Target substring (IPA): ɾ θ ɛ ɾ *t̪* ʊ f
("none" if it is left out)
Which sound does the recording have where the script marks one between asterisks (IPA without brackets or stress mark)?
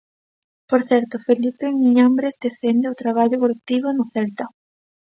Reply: t̪